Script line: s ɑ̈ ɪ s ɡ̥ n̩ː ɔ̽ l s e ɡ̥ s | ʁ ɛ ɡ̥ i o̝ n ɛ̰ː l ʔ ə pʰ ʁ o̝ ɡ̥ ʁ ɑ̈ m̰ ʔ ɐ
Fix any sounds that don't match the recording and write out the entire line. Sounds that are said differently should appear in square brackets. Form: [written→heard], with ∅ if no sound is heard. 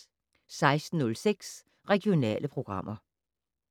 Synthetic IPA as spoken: s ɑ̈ ɪ s [ɡ̥→d̥] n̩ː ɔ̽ l s e ɡ̥ s | ʁ ɛ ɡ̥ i o̝ n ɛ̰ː l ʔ ə pʰ ʁ o̝ ɡ̥ ʁ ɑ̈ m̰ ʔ ɐ